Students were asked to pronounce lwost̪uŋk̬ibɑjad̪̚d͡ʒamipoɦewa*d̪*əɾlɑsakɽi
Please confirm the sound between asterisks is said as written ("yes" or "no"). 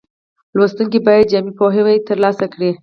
no